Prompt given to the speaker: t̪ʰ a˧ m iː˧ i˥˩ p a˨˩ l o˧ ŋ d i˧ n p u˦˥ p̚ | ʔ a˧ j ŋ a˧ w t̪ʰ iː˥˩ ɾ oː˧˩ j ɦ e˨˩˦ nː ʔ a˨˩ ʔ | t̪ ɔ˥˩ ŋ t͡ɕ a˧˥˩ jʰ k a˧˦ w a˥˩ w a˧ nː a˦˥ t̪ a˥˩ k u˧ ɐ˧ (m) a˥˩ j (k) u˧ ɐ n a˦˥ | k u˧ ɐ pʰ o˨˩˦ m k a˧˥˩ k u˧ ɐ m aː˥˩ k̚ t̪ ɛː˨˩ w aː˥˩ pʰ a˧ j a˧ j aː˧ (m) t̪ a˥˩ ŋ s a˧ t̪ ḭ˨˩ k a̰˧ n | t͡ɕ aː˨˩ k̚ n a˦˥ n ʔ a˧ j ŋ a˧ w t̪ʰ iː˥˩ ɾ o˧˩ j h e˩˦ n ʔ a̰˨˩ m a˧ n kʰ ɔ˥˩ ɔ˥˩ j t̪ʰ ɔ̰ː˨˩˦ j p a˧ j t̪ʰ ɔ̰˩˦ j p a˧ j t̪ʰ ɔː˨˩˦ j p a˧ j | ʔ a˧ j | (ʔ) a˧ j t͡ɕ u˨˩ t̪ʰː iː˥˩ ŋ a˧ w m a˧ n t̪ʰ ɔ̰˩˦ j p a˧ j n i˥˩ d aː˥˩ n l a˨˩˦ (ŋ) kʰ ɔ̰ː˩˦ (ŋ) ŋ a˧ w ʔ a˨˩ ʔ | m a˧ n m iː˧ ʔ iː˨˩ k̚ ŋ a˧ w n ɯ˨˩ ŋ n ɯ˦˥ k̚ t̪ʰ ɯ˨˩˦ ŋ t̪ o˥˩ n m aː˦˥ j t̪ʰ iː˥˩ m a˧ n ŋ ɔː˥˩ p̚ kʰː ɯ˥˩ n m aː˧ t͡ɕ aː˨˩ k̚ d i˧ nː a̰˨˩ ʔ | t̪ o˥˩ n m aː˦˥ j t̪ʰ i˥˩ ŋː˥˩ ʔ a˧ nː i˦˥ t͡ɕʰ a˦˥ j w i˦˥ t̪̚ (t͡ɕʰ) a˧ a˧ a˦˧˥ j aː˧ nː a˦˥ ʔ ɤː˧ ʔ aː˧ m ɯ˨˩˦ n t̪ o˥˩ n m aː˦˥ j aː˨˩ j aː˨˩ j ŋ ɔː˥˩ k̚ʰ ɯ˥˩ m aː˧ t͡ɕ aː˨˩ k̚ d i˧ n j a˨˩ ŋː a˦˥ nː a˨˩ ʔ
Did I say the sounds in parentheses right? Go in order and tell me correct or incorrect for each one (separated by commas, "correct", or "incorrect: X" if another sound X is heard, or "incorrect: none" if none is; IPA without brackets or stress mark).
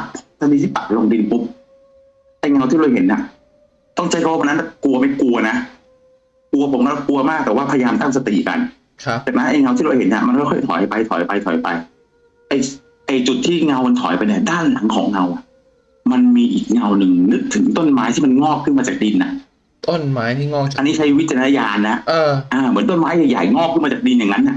correct, correct, correct, correct, correct, correct, incorrect: t͡ɕ